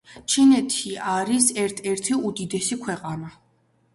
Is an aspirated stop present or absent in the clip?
present